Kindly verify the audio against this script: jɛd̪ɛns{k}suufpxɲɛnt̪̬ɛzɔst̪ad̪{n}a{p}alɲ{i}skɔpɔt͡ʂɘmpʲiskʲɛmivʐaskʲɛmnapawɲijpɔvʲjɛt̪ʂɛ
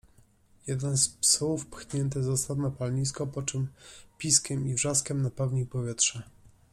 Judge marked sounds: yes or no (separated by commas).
no, yes, yes, yes